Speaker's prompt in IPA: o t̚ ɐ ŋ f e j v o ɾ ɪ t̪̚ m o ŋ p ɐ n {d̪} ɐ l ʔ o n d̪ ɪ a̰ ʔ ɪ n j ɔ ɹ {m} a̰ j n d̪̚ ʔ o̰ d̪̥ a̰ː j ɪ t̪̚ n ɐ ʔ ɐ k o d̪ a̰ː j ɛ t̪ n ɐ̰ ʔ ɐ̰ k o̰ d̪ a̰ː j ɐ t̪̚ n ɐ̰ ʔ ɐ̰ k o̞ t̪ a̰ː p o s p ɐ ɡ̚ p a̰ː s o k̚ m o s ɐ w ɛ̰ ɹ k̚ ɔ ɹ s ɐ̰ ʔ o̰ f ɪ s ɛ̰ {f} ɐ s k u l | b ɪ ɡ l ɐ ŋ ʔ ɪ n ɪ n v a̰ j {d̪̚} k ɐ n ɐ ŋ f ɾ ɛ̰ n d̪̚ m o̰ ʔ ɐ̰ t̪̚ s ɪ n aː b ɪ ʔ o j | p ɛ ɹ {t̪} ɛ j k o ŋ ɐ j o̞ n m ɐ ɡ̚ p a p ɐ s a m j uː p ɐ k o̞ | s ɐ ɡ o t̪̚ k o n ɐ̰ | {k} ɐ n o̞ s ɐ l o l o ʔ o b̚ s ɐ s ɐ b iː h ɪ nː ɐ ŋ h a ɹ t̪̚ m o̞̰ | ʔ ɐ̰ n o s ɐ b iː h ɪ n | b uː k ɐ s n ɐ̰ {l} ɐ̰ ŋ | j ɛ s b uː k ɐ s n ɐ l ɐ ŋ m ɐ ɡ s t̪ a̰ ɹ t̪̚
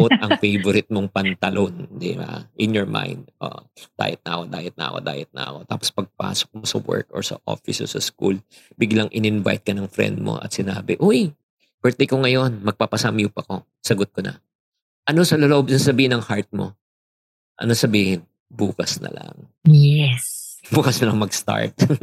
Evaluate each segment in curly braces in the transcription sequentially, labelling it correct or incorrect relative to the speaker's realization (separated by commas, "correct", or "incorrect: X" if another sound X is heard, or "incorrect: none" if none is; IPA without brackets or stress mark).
incorrect: t̪, correct, incorrect: s, incorrect: t̪̚, correct, incorrect: ʔ, correct